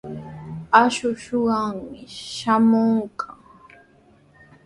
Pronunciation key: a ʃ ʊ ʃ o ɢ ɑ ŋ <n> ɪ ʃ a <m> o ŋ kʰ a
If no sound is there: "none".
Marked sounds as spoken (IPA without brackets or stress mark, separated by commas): m, m